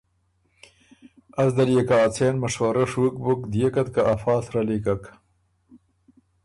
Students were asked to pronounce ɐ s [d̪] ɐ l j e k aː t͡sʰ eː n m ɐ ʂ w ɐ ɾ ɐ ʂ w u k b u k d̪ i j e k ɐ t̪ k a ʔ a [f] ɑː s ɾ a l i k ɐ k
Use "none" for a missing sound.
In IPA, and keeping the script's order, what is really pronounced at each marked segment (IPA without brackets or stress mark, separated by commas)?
d̪, f